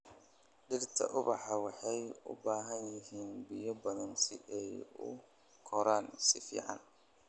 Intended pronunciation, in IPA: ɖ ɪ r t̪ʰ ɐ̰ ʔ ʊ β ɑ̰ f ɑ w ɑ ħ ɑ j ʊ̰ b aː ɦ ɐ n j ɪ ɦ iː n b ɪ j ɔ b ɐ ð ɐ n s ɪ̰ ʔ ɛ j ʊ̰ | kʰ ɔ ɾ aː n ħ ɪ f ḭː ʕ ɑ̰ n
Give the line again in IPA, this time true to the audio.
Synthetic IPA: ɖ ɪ r t̪ʰ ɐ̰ ʔ ʊ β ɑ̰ ħ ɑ w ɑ ħ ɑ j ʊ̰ b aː ɦ ɐ n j ɪ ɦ iː n b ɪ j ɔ b ɐ ð ɐ n s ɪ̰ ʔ ɛ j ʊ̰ | kʰ ɔ ɾ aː n s ɪ f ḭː ʕ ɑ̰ n